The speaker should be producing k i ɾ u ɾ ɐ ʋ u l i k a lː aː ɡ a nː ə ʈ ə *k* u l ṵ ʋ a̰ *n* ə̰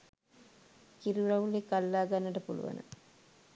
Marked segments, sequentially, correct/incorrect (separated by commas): incorrect, correct